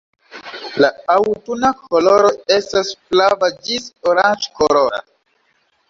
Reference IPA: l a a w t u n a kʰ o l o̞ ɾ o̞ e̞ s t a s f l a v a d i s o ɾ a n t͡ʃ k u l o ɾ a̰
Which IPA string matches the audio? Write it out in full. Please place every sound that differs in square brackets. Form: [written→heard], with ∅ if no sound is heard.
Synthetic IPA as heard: l a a w t u n a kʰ o l o̞ ɾ o̞ e̞ s t a s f l a v a [d→d͡ʒ] i s o ɾ a n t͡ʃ k [u→o] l o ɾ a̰